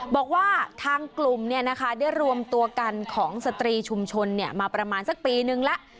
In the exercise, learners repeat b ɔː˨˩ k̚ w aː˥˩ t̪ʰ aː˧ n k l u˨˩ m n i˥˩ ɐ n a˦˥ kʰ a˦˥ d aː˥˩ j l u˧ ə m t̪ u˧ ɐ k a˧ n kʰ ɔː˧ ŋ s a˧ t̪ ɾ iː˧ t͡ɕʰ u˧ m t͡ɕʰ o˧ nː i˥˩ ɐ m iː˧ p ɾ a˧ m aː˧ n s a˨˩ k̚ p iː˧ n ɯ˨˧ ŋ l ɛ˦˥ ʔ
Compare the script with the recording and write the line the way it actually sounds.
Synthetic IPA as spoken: b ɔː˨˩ k̚ w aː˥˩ t̪ʰ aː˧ ŋ k l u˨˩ m n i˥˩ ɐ n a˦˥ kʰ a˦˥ d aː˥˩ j ɾ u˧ ə m t̪ u˧ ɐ k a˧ n kʰ ɔː˩˦ ŋ s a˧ t̪ ɾ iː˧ t͡ɕʰ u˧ m t͡ɕʰ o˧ nː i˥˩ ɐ m aː˧ p ɾ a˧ m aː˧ n s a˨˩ k̚ p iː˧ n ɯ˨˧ ŋ l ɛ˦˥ ʔ